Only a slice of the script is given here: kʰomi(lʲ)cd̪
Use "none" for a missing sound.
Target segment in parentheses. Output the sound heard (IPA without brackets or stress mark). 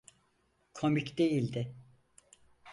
none